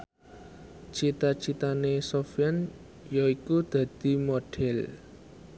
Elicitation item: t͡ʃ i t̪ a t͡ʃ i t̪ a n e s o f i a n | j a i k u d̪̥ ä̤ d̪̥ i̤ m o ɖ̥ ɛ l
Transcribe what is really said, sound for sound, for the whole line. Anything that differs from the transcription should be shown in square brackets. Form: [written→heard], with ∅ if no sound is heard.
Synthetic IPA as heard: t͡ʃ i t̪ a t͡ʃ i t̪ a n e s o f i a n | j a i k u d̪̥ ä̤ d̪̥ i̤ m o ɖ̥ ɛ l